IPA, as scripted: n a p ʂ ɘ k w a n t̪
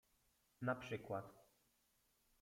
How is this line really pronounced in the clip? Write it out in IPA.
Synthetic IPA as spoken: n a p ʂ ɘ k w a t̪